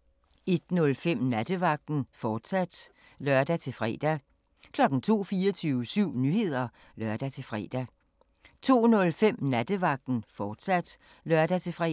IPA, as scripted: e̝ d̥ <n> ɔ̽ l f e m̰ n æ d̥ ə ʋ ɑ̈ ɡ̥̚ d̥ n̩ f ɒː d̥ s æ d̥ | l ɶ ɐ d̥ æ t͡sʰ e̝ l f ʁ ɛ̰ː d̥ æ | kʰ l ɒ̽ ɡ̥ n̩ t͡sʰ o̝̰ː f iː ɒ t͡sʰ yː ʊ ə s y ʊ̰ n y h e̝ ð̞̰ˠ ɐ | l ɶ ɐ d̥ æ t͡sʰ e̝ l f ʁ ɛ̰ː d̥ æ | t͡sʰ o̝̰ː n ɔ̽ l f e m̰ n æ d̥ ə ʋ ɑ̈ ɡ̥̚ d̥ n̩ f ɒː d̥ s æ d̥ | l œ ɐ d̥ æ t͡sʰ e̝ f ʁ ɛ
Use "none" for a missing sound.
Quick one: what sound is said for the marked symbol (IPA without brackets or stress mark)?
n